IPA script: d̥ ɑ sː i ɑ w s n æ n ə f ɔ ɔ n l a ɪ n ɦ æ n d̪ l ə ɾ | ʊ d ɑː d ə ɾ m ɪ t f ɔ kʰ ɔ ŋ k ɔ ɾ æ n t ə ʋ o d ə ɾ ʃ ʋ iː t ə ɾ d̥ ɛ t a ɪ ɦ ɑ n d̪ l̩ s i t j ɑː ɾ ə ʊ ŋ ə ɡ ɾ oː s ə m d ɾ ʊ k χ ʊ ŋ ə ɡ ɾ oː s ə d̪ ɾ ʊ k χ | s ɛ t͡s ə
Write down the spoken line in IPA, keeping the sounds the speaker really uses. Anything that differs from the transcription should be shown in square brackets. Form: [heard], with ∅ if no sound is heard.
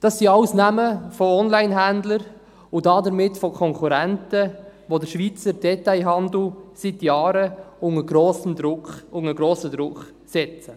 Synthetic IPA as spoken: d̥ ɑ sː i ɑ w s n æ [m] ə f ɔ ɔ n l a ɪ n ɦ æ n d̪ l ə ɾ | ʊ d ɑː d ə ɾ m ɪ t f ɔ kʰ ɔ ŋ k [u] ɾ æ n t ə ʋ o d ə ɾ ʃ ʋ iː [t͡s] ə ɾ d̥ ɛ t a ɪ ɦ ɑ n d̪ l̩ s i t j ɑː ɾ ə ʊ ŋ ə ɡ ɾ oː s ə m d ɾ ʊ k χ ʊ ŋ ə ɡ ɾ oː s ə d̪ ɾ ʊ k χ | s ɛ t͡s ə